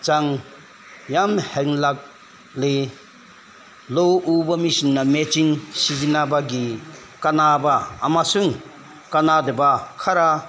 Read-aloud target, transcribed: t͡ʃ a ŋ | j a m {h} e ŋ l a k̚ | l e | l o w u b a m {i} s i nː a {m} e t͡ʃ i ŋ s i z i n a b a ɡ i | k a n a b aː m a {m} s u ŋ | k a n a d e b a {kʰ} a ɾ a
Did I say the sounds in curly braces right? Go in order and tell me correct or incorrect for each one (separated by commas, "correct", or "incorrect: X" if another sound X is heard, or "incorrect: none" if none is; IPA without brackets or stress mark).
correct, correct, correct, incorrect: none, correct